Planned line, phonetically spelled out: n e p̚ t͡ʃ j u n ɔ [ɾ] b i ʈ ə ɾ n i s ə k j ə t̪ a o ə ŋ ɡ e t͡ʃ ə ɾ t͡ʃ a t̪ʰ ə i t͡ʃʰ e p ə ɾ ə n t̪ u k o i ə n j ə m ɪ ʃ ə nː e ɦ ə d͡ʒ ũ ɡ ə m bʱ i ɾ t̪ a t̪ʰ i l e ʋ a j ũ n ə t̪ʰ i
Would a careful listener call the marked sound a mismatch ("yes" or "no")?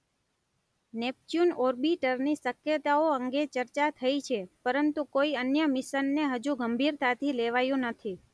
no